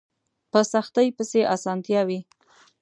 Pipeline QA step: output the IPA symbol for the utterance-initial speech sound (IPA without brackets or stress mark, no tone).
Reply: p